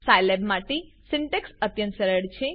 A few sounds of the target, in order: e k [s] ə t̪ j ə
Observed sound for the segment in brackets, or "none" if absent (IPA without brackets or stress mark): s